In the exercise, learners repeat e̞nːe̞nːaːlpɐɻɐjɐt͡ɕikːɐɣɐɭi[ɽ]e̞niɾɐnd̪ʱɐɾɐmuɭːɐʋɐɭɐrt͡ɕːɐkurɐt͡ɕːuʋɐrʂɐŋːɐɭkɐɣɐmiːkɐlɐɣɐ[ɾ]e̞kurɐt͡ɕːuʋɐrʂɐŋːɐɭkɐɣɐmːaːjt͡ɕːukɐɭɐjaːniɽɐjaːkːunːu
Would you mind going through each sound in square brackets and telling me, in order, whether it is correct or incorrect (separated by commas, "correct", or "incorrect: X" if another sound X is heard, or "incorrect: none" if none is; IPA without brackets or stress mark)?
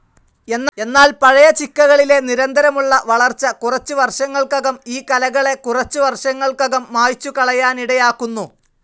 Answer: incorrect: l, incorrect: ɭ